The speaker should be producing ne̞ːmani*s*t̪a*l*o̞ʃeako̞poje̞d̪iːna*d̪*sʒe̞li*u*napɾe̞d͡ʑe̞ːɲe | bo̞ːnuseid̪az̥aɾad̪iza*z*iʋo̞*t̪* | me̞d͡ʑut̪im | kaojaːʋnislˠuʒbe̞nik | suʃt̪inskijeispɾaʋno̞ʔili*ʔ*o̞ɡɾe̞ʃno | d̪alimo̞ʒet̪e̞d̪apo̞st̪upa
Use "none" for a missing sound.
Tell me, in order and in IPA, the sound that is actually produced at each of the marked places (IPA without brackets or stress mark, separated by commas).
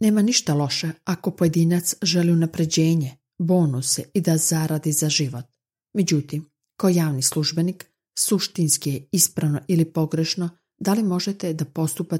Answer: ʃ, l, t̪, u, ʒ, t̪, p